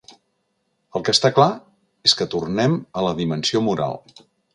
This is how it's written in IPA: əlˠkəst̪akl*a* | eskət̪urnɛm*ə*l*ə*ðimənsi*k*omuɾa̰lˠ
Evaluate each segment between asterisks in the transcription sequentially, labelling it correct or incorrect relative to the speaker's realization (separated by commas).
correct, correct, correct, incorrect